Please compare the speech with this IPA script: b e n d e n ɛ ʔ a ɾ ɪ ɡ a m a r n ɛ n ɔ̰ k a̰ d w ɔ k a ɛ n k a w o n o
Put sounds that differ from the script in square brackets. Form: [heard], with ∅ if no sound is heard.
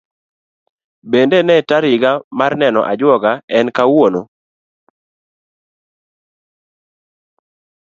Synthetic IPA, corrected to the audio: b e n d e n ɛ [t] a ɾ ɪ ɡ a m a r n ɛ n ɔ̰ [ʔ] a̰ [d͡ʒ] w ɔ [ɡ] a ɛ n k a w o n o